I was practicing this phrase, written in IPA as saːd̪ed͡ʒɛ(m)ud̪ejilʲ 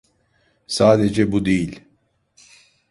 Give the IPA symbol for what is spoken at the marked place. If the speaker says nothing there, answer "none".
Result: b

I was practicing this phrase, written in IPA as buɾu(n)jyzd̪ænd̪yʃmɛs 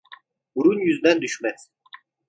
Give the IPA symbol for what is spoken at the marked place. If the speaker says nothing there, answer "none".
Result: n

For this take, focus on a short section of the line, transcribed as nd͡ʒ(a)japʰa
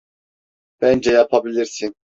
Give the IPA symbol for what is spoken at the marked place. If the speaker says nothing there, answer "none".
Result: ɛ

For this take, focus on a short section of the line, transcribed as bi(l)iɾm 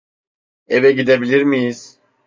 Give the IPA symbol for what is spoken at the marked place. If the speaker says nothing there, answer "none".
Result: l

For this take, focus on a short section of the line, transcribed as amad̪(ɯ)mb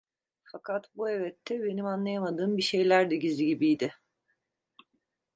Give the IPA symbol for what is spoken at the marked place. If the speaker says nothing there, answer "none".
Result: ɯː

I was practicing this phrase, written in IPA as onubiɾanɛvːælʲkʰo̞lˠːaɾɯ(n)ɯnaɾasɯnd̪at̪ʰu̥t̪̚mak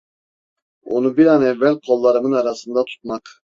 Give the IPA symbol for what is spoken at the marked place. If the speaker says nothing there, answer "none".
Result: m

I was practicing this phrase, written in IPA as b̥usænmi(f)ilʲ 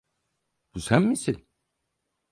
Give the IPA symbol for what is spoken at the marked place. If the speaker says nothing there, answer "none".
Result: s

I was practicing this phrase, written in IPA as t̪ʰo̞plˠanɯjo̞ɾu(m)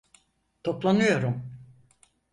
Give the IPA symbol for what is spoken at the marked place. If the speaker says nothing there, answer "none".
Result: m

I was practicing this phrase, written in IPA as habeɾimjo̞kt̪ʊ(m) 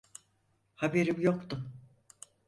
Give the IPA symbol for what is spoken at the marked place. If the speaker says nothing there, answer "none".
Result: m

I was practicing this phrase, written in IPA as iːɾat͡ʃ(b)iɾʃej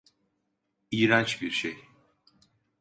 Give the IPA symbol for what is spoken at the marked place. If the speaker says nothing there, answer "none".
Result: b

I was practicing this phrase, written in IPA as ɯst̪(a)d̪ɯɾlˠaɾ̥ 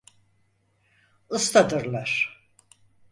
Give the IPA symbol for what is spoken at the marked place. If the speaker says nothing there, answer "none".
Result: a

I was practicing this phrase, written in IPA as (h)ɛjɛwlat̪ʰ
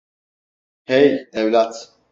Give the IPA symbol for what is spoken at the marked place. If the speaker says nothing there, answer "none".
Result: h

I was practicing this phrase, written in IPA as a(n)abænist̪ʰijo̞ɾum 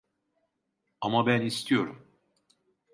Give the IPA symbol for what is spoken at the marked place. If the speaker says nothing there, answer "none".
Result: m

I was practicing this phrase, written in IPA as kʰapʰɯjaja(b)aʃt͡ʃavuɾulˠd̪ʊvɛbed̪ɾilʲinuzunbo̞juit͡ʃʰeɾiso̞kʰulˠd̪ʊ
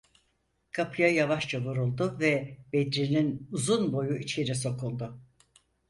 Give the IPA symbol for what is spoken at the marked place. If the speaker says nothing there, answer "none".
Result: v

